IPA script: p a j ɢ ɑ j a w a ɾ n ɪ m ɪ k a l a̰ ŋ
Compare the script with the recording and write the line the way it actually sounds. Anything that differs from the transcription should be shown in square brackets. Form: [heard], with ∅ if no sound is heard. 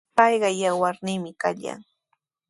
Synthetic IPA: p [ɑ] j ɢ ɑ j a w a ɾ n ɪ m ɪ k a [ʎ] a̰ ŋ